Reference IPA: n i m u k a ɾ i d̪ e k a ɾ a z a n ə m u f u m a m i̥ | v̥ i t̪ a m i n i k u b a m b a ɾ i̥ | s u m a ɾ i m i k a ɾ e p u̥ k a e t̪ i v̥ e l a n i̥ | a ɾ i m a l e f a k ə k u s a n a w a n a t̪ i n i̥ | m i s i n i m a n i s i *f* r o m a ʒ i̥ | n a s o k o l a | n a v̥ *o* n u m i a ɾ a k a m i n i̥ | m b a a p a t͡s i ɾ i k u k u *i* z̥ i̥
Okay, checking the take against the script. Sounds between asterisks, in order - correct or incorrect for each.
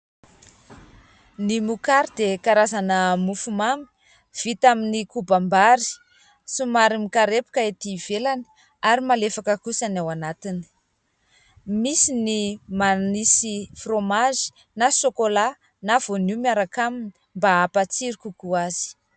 correct, correct, incorrect: a

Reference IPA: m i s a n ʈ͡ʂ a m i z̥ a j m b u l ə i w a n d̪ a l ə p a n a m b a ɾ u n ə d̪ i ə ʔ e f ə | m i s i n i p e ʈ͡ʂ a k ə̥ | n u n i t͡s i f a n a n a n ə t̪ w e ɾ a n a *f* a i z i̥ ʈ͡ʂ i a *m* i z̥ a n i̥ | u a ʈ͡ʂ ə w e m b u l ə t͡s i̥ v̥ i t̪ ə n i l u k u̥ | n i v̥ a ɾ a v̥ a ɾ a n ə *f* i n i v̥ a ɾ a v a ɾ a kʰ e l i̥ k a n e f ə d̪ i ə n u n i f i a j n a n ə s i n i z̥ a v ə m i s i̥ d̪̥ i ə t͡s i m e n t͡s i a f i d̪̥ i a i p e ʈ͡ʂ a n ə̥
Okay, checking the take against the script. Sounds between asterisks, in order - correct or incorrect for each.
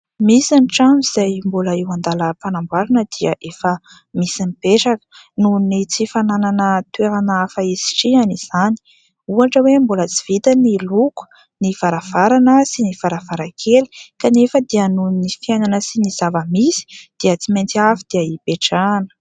correct, incorrect: n, incorrect: s

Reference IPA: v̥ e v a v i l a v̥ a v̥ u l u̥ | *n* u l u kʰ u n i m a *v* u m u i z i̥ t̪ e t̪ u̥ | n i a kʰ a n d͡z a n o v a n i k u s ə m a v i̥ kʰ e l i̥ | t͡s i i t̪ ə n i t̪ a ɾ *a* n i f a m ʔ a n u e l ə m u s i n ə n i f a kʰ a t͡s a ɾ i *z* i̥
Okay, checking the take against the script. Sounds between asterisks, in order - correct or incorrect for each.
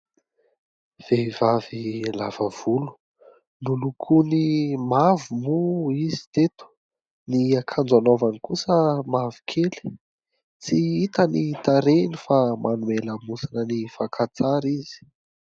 correct, correct, incorrect: e, correct

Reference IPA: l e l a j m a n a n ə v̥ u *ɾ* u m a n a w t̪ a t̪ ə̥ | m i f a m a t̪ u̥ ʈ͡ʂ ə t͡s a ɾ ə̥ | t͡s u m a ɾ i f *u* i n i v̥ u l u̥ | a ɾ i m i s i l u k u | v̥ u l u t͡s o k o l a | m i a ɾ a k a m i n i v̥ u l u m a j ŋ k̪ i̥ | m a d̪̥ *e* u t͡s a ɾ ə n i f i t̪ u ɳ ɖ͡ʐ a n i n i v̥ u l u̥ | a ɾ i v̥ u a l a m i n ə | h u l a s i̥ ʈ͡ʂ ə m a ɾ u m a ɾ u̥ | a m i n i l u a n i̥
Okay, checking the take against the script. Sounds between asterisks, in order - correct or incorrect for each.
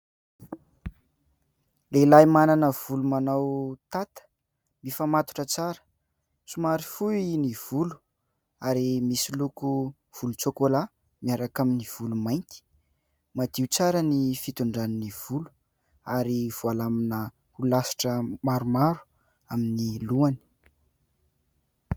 incorrect: l, correct, incorrect: i

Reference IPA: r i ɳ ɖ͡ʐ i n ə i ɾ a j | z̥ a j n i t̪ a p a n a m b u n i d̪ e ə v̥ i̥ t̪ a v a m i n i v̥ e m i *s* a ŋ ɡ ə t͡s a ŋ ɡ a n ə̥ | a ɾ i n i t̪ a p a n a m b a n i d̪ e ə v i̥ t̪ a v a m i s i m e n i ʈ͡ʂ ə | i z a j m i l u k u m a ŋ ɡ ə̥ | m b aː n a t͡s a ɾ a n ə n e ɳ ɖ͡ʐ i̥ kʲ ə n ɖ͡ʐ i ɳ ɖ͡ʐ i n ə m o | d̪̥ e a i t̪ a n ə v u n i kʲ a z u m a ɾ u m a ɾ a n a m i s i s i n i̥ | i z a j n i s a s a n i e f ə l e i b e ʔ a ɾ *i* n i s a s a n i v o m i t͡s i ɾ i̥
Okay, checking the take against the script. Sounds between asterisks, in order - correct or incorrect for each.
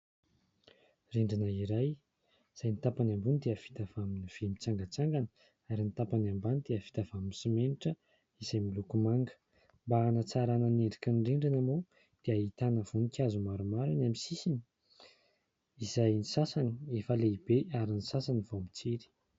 incorrect: t͡s, correct

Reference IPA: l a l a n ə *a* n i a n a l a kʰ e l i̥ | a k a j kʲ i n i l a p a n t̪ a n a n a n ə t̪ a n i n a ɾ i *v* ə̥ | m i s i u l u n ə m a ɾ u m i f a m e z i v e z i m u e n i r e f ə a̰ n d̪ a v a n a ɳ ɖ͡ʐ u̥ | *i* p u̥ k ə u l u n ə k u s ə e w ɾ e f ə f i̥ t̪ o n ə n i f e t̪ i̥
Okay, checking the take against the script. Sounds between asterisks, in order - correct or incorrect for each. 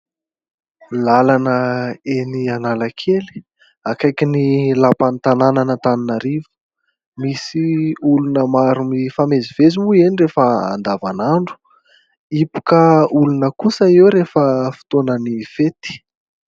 incorrect: e, correct, correct

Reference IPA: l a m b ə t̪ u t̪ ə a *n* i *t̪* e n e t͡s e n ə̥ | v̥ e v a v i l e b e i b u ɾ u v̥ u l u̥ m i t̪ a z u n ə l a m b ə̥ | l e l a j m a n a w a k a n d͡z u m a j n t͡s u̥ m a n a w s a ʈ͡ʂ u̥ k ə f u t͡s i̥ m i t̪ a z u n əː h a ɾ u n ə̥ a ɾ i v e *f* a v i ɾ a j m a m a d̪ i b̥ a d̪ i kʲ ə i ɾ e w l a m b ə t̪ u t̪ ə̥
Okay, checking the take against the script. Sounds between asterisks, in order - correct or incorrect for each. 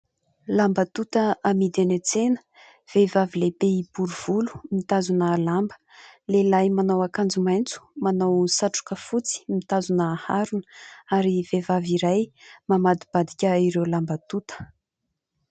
incorrect: m, incorrect: d̪, incorrect: v

